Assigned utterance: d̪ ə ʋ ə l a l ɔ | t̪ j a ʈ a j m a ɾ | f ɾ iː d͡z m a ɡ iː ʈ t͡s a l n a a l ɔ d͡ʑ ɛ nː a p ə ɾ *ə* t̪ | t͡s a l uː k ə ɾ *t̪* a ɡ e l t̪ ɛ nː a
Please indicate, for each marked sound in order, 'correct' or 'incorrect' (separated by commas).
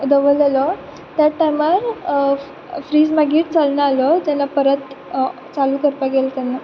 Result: correct, correct